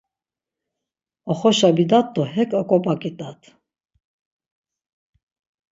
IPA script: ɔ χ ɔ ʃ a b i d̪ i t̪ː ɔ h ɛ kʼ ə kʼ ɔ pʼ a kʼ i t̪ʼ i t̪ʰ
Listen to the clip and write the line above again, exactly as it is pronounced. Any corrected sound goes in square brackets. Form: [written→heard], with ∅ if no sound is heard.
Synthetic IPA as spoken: ɔ χ ɔ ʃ a b i d̪ [i→a] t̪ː ɔ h ɛ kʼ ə kʼ ɔ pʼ a kʼ i t̪ʼ [i→a] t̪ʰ